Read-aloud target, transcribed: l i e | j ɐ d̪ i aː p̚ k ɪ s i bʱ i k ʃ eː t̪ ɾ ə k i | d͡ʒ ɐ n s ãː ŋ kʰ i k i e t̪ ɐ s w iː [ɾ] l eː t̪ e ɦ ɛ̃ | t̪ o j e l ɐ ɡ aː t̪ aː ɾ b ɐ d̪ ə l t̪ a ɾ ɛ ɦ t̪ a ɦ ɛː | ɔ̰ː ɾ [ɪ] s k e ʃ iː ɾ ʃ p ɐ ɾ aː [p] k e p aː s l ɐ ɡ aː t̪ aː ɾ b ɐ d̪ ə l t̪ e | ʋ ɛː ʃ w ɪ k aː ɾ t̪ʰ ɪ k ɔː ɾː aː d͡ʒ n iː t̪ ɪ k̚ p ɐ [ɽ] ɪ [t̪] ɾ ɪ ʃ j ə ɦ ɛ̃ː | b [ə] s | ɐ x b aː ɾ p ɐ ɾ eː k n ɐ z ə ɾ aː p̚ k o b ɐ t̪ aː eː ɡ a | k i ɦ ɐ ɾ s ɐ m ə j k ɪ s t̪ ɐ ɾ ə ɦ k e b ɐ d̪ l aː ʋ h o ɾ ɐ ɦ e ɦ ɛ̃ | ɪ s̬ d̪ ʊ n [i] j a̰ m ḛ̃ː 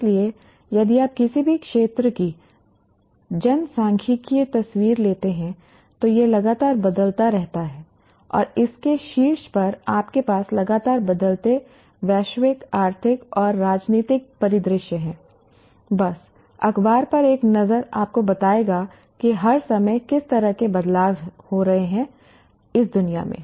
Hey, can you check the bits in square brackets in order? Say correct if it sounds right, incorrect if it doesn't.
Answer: correct, correct, correct, incorrect: ɾ, incorrect: d̪, incorrect: ɐ, correct

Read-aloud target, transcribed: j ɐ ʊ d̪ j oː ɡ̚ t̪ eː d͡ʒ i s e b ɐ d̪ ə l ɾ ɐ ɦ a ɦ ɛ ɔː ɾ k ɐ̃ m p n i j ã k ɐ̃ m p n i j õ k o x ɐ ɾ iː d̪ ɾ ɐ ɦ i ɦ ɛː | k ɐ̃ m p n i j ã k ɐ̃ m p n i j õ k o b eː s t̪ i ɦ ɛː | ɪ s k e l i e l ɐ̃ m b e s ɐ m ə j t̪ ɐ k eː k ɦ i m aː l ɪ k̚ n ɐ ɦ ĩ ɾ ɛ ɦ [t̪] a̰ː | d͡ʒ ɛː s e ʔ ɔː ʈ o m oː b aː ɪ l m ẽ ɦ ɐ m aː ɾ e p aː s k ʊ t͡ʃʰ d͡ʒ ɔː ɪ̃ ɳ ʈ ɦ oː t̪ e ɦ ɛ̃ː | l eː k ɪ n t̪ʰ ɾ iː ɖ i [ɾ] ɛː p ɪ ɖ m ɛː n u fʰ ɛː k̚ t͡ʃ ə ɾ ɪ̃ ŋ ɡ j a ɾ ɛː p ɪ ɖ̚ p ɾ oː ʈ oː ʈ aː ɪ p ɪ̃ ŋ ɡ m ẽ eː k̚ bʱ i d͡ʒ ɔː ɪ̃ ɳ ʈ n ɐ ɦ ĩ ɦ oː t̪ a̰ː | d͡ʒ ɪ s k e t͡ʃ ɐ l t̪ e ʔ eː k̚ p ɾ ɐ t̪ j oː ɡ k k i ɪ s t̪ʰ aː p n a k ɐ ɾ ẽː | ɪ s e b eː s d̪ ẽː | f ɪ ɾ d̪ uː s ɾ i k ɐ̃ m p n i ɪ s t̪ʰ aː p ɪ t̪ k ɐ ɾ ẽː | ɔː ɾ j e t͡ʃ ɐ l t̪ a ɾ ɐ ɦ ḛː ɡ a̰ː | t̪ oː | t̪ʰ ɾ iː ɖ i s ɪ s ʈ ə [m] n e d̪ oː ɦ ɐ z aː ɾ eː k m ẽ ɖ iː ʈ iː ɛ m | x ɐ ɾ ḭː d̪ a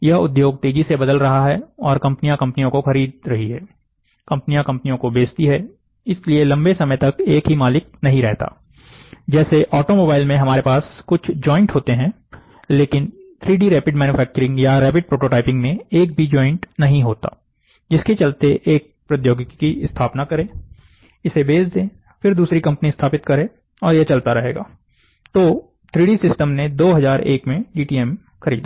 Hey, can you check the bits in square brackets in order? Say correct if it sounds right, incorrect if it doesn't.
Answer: correct, correct, correct

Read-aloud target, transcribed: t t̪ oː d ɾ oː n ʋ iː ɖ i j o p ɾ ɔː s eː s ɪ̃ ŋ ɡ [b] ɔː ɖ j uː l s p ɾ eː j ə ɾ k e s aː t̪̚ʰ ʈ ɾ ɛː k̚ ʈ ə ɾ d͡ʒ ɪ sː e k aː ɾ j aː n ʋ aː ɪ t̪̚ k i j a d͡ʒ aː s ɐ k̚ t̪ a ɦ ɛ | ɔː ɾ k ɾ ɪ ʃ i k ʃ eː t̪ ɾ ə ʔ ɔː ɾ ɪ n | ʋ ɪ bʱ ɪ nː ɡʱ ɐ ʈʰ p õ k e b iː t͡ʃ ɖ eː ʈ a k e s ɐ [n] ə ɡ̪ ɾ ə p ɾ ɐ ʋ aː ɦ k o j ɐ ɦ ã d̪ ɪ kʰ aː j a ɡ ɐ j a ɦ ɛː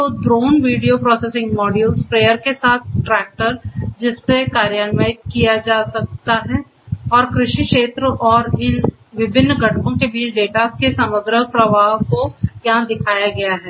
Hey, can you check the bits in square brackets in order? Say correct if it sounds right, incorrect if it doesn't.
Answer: incorrect: m, incorrect: m

